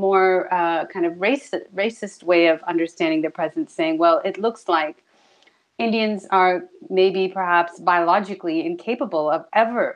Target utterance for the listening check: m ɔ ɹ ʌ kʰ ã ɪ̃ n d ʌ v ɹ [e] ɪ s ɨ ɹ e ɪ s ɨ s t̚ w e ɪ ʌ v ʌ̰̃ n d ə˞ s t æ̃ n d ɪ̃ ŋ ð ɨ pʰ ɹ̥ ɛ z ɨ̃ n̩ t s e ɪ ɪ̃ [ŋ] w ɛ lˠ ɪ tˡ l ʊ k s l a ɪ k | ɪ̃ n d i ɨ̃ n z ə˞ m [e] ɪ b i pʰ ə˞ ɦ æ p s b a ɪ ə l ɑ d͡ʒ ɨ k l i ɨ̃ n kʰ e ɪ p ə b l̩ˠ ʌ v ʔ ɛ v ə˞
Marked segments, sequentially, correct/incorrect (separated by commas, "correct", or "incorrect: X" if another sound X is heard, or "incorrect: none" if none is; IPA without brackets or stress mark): correct, correct, correct